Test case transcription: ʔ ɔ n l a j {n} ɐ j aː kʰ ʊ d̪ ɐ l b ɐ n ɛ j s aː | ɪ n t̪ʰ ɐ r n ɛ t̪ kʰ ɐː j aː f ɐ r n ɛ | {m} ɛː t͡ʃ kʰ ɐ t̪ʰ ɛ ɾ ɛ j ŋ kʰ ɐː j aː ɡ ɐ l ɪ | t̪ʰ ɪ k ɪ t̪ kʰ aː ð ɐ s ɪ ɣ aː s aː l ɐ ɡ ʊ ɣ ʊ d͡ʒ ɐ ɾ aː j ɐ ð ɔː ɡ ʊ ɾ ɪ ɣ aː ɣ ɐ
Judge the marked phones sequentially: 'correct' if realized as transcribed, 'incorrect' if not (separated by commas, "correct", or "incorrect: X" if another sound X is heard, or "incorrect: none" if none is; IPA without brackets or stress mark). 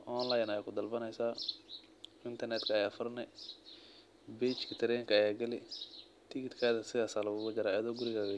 correct, incorrect: b